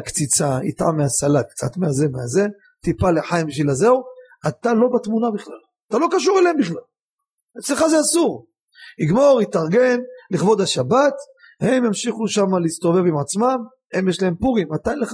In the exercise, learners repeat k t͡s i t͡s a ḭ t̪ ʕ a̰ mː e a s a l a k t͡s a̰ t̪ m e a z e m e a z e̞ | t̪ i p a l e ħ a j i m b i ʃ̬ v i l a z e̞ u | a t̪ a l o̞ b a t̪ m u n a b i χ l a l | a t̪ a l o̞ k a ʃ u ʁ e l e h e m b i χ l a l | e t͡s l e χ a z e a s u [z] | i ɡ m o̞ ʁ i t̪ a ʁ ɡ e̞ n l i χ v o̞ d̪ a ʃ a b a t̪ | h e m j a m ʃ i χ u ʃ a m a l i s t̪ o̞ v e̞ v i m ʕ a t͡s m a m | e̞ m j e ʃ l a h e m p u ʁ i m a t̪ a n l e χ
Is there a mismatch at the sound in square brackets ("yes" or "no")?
yes